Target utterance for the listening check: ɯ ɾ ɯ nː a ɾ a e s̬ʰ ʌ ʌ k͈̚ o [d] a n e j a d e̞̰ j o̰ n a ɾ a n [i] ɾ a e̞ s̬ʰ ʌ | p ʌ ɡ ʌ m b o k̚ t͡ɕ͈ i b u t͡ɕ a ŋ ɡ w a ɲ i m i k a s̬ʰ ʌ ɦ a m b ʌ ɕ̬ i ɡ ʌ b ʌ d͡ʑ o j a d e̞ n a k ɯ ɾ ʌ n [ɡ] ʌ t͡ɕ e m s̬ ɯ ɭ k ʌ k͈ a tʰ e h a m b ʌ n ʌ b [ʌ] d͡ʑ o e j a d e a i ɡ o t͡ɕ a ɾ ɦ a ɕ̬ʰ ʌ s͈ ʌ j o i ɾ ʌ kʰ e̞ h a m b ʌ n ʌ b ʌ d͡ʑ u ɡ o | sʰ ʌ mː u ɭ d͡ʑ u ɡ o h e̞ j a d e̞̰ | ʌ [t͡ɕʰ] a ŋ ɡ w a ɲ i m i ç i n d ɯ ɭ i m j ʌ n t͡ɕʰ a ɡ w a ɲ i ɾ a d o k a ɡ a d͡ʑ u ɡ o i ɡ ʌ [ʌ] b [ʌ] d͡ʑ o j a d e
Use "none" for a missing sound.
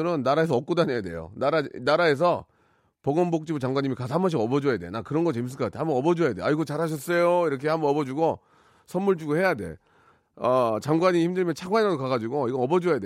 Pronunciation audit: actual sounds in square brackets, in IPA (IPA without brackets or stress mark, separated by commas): d, a, ɡ, ʌ, t͡ɕ, ʌ, ʌ